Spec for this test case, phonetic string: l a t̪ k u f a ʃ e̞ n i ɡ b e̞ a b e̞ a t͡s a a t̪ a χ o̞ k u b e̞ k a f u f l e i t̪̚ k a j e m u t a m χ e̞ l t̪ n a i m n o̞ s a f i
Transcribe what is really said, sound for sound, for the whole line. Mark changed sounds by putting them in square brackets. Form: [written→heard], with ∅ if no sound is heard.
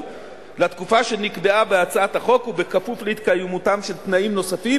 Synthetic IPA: l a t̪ k u f a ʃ e̞ n i [ɡ→k] b e̞ a b e̞ a t͡s a a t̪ a χ o̞ k u b e̞ k a f u f l e i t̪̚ k a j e m u t a m [χ→ʃ] e̞ l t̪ n a i m n o̞ s a f i